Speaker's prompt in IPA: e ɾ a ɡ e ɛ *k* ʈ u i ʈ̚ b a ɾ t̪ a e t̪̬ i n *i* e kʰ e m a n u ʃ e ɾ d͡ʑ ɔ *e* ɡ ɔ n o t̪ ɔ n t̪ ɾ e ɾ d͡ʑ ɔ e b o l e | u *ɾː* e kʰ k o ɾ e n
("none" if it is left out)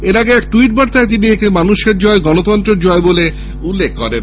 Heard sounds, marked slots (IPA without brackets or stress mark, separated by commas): k, i, e, lː